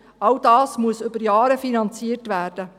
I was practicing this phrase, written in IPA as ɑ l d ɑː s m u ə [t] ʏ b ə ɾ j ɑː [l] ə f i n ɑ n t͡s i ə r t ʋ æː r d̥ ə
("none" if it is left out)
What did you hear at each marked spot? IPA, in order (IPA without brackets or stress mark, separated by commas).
s, ɾ